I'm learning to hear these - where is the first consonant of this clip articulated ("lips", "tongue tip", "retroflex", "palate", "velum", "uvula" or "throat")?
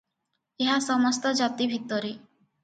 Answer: throat